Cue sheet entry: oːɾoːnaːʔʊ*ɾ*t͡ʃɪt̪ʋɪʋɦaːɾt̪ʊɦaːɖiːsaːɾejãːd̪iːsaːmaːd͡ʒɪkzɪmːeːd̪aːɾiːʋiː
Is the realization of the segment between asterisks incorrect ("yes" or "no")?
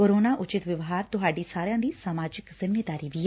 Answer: yes